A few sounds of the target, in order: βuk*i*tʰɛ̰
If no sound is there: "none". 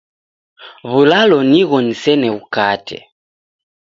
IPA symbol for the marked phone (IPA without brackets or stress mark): a